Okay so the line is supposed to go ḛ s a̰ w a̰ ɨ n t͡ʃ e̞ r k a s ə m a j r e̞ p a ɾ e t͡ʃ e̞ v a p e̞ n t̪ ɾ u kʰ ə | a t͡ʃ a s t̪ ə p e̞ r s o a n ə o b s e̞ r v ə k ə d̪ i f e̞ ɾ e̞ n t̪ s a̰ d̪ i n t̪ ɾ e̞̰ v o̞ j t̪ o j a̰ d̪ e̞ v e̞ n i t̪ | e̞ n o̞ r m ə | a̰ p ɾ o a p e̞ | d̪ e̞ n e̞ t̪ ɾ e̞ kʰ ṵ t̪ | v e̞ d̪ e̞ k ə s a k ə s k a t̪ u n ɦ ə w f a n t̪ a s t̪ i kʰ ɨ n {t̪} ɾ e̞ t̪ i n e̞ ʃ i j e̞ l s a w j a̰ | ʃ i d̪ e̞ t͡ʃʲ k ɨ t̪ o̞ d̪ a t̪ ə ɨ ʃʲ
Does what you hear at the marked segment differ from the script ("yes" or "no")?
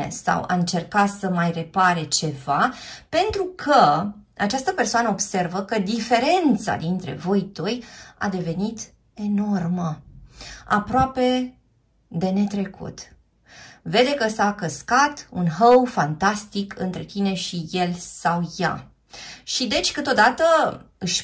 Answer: no